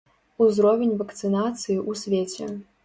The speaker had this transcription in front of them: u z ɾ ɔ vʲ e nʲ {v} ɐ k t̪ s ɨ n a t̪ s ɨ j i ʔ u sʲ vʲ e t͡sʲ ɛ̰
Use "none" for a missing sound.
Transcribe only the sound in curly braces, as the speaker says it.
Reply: v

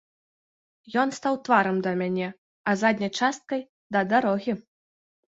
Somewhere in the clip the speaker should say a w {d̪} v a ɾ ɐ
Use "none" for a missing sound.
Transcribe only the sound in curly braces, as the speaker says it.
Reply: t̪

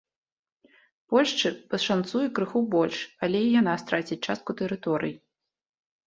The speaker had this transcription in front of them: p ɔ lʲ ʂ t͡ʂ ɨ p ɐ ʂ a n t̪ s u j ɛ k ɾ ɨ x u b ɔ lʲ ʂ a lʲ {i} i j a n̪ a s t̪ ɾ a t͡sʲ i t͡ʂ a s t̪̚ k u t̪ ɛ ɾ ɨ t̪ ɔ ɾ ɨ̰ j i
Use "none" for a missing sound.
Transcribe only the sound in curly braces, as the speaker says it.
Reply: ɛ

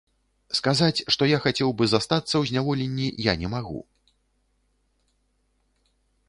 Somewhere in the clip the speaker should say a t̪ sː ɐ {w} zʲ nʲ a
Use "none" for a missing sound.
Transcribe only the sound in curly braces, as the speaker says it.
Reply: w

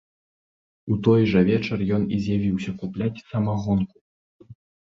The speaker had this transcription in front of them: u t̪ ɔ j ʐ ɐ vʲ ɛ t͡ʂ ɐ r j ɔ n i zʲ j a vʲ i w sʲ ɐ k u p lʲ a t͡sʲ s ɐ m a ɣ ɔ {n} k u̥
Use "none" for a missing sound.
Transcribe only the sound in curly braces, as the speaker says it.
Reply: n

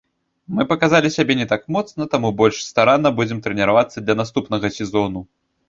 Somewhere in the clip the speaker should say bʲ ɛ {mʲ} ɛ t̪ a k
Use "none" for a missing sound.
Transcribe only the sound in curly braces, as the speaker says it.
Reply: nʲ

